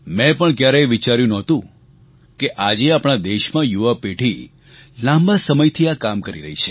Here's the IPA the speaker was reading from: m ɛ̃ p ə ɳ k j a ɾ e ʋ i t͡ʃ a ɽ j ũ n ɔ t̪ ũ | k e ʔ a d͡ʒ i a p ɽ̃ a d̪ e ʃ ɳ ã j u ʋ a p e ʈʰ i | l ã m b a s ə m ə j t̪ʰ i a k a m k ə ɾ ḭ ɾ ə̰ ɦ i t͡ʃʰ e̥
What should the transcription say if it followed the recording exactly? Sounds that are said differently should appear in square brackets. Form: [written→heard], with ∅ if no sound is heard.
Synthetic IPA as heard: m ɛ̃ p ə ɳ k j a ɾ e ʋ i t͡ʃ a [ɽ→ɾ] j ũ n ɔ t̪ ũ | k e ʔ a d͡ʒ [i→e] a p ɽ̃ a d̪ e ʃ [ɳ→m] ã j u ʋ a p e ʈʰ i | l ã m b a s ə m ə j t̪ʰ i a k a m k ə ɾ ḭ ɾ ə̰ ɦ i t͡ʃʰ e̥

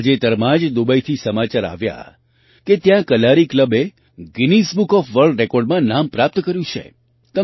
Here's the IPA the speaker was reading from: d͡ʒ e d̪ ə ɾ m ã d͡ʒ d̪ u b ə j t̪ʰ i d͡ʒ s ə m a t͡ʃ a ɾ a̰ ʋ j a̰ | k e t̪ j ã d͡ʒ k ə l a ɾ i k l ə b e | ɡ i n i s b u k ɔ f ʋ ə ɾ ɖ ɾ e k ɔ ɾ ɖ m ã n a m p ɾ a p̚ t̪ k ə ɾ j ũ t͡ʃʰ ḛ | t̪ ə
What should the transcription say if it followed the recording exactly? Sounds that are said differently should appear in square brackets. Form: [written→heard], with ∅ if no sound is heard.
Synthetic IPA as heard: d͡ʒ e [d̪→t̪] ə ɾ m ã d͡ʒ d̪ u b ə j t̪ʰ i [d͡ʒ→∅] s ə m a t͡ʃ a ɾ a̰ ʋ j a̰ | k e t̪ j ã [d͡ʒ→∅] k ə l a ɾ i k l ə b e | ɡ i n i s b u k ɔ f ʋ ə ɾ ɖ ɾ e k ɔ ɾ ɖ m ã n a m p ɾ a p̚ t̪ k ə ɾ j ũ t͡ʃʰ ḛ | t̪ ə

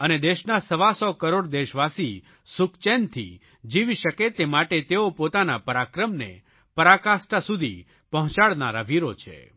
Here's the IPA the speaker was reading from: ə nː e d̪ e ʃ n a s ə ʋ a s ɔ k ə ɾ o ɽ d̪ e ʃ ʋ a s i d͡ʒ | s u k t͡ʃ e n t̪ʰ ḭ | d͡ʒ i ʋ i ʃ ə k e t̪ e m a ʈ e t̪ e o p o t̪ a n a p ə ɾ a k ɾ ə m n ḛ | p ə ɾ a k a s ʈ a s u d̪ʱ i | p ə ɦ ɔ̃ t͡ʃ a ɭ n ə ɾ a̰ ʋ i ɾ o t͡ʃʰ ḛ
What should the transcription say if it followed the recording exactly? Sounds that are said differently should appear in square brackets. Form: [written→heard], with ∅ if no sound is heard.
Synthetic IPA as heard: ə [nː→n] e d̪ e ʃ n a s ə ʋ a s ɔ k ə ɾ o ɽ d̪ e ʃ ʋ a s i [d͡ʒ→∅] | s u k t͡ʃ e n t̪ʰ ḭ | d͡ʒ i ʋ i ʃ ə k e t̪ e m a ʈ e t̪ e o p o t̪ a n a p ə ɾ a k ɾ ə m n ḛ | p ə ɾ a k a s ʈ a s u d̪ʱ i | p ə ɦ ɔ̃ t͡ʃ a ɭ n [ə→a] ɾ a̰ ʋ i ɾ o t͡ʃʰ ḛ

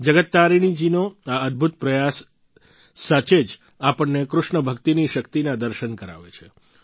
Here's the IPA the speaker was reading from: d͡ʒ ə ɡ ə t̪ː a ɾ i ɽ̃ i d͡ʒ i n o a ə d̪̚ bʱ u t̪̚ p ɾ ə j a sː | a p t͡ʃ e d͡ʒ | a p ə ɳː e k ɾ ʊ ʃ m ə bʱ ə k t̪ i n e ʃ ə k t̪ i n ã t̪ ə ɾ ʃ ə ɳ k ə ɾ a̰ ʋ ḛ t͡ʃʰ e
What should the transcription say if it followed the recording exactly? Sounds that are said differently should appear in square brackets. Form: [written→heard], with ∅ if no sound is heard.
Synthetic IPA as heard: d͡ʒ ə ɡ ə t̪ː a ɾ i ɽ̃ i d͡ʒ i n o a ə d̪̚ bʱ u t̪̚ p ɾ ə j a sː | a [p→∅] t͡ʃ e d͡ʒ | a p ə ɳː e k ɾ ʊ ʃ [m→ɳ] ə bʱ ə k t̪ i n [e→i] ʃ ə k t̪ i n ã [t̪→d̪] ə ɾ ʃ ə [ɳ→n] k ə ɾ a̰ ʋ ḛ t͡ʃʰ e

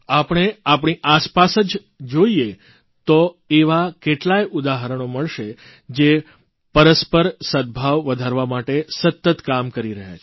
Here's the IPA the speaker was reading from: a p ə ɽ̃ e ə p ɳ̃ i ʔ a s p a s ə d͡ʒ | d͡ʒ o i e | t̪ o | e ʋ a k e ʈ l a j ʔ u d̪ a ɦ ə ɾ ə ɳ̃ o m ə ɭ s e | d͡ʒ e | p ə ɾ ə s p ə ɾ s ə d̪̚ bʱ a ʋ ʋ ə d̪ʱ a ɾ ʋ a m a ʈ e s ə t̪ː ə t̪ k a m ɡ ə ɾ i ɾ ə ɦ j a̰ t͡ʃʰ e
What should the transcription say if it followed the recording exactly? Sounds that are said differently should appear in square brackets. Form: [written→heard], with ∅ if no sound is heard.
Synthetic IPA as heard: a p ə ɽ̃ e [ə→a] p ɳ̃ i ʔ a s p a s ə d͡ʒ | d͡ʒ o i e | t̪ o | e ʋ a k e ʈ l a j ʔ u d̪ a ɦ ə ɾ ə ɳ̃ o m ə ɭ [s→ʃ] e | d͡ʒ e | p ə ɾ ə s p ə ɾ s ə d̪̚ bʱ a ʋ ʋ ə d̪ʱ a ɾ ʋ a m a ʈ e s ə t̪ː ə t̪ k a m [ɡ→k] ə ɾ i ɾ ə ɦ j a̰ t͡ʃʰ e

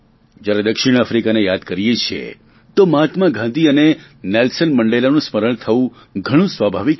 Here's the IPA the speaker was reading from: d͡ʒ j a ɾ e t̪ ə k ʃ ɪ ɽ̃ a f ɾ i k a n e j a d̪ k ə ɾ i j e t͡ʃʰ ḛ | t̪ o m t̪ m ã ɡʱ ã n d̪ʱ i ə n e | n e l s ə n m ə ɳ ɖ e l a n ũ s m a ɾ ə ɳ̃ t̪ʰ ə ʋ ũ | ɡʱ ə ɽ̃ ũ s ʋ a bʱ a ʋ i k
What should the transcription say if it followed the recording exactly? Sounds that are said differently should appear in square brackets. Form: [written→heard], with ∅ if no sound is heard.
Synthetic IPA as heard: d͡ʒ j a ɾ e [t̪→d̪] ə k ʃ ɪ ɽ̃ a f ɾ i k a n e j a d̪ k ə ɾ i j e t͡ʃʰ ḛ | t̪ o m t̪ m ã ɡʱ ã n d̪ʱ i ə n e | n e l s ə n m ə ɳ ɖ e l a n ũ s m [a→ə] ɾ ə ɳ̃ t̪ʰ ə ʋ ũ | ɡʱ ə ɽ̃ ũ s ʋ a bʱ a ʋ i k

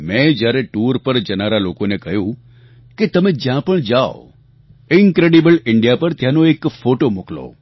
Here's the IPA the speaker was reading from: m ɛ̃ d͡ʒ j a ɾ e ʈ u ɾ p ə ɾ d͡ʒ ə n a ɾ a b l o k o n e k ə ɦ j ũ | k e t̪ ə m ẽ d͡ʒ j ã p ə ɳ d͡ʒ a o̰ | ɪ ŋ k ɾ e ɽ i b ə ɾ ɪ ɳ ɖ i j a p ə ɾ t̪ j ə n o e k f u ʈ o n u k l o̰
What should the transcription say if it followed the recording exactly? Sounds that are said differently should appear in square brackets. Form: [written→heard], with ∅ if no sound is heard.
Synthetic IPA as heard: m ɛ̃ d͡ʒ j a ɾ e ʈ u ɾ p ə ɾ d͡ʒ ə n a ɾ a [b→∅] l o k o n e k ə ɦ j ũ | k e t̪ ə m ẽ d͡ʒ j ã p ə ɳ d͡ʒ a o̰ | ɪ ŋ k ɾ e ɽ i b ə [ɾ→l] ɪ ɳ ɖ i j a p ə ɾ t̪ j [ə→a] n o e k f [u→o] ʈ o [n→m] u k l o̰

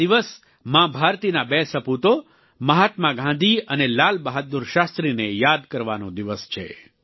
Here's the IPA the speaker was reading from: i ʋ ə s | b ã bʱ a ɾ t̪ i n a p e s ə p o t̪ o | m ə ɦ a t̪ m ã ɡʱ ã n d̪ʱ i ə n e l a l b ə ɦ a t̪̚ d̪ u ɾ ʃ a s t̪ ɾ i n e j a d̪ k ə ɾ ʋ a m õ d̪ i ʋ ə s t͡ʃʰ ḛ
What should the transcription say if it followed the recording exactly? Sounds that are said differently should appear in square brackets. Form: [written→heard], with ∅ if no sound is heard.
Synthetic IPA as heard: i ʋ ə s | [b→m] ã bʱ a ɾ t̪ i n a [p→b] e s ə p [o→u] t̪ o | m ə ɦ a t̪ m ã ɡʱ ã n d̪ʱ i ə n e l a l b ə ɦ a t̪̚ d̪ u ɾ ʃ a s t̪ ɾ i n e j a d̪ k ə ɾ ʋ a [m→n] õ d̪ i ʋ ə s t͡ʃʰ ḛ

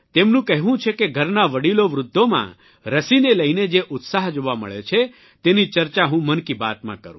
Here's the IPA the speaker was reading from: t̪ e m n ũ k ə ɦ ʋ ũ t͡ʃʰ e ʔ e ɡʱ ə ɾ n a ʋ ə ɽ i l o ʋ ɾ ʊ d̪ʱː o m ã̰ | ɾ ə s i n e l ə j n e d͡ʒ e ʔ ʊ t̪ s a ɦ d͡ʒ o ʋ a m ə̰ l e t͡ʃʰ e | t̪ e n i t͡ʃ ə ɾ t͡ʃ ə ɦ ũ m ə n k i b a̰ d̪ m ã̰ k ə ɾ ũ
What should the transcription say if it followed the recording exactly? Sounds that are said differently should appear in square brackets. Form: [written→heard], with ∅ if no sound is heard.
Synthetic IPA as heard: t̪ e m n ũ k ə ɦ ʋ ũ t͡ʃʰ e [ʔ→k] e ɡʱ ə ɾ n a ʋ ə ɽ i l o ʋ ɾ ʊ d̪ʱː o m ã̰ | ɾ ə s i n e l ə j n e d͡ʒ e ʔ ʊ t̪ s a ɦ d͡ʒ o ʋ a m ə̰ [l→ɭ] e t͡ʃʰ e | t̪ e n i t͡ʃ ə ɾ t͡ʃ [ə→a] ɦ ũ m ə n k i b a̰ [d̪→t̪] m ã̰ k ə ɾ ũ

